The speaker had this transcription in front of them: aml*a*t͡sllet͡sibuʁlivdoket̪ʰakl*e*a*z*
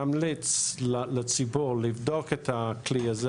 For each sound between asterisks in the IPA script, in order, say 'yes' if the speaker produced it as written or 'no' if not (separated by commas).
no, no, yes